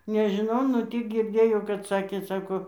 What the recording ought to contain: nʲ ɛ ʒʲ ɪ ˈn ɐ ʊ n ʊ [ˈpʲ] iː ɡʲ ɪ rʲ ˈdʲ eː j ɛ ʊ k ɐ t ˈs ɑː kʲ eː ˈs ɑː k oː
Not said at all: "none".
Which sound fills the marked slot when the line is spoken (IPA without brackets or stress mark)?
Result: tʲ